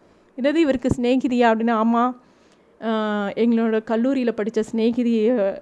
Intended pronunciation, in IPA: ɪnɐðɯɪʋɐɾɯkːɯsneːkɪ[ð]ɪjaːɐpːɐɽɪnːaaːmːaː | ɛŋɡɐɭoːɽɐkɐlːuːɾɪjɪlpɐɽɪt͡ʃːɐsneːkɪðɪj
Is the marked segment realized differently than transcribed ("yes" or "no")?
no